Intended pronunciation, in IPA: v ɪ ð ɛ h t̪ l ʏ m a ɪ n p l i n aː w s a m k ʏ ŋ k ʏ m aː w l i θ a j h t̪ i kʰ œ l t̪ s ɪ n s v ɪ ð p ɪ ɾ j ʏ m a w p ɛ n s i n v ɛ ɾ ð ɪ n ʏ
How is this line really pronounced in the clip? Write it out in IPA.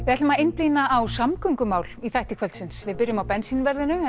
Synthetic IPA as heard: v ɪ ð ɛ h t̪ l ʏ m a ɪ n p l i n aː w s a m k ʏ ŋ k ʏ m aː w l i θ a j h t̪ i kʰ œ l t̪ s ɪ n s v ɪ ð p ɪ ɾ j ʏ m a w p ɛ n s i n v ɛ ɾ ð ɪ n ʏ